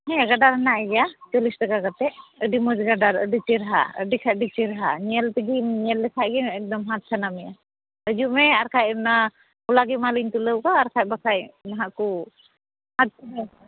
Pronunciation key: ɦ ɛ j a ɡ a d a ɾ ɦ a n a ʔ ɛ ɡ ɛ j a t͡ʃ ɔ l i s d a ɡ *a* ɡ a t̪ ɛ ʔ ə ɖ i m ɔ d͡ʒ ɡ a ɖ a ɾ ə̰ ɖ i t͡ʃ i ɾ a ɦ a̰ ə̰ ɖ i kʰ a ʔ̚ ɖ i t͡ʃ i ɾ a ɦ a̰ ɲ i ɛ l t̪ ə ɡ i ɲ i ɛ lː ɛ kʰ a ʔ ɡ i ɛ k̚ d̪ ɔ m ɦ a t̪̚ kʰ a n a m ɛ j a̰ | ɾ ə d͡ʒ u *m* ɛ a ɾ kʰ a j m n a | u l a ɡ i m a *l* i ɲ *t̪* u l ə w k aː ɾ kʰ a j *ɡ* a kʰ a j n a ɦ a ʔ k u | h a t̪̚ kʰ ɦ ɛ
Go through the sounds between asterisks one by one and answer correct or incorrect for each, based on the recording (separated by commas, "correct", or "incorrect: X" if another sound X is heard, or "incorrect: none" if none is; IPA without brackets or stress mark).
correct, correct, correct, correct, incorrect: b